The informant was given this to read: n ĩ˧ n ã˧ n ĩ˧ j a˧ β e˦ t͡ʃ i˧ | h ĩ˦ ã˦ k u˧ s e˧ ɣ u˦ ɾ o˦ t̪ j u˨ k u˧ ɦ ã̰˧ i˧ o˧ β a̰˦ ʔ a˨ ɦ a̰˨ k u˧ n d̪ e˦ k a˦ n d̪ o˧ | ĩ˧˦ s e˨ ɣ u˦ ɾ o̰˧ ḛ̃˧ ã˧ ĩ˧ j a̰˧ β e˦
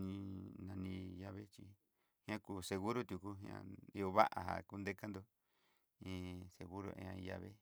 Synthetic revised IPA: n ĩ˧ n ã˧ n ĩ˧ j a˧ β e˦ t͡ʃ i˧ | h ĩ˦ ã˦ k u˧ s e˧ ɣ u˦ ɾ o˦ t̪ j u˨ k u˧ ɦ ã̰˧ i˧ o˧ β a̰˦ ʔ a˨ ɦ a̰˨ k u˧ n d̪ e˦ k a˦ n d̪ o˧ | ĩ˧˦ s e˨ ɣ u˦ ɾ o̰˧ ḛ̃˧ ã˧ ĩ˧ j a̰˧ β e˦